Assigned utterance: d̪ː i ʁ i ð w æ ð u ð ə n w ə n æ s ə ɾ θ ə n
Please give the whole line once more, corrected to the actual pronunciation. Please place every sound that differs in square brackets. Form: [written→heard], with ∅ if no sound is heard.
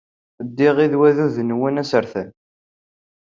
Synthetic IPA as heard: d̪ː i ʁ i ð w æ ð u ð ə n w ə n æ s ə ɾ θ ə n